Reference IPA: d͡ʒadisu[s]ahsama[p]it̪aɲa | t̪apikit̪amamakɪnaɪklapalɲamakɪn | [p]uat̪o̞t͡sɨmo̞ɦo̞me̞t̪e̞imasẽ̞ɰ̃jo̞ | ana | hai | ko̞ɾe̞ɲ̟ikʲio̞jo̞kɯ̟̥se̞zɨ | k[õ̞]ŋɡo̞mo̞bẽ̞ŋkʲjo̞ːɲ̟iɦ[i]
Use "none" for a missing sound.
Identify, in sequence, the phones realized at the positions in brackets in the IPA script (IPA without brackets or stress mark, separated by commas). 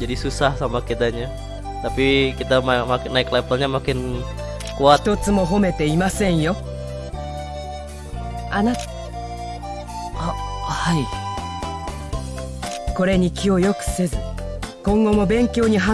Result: s, k, k, õ̞, a